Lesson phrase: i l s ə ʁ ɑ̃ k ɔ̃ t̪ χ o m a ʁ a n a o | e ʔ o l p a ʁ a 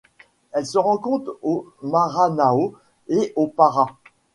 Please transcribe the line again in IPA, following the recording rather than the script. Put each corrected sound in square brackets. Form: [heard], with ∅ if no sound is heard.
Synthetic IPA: [ɛ] l s ə ʁ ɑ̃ k ɔ̃ t̪ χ o m a ʁ a n a o | e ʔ o [∅] p a ʁ a